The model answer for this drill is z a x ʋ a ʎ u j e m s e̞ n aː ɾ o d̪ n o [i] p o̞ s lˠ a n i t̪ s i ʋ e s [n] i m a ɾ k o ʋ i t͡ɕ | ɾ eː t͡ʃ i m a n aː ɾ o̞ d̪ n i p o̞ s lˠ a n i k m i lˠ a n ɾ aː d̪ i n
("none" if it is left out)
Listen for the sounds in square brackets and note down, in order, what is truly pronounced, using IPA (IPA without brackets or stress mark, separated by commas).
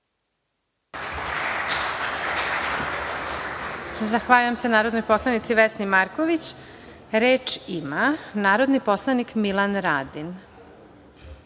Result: j, n